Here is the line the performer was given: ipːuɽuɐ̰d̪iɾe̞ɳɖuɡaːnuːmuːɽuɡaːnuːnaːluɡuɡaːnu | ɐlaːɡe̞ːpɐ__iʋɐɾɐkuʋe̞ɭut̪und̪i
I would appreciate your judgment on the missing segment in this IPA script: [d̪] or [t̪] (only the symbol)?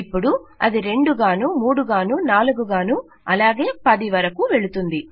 d̪